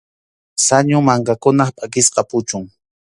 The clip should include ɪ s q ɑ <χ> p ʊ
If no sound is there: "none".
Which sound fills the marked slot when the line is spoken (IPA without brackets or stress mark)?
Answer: none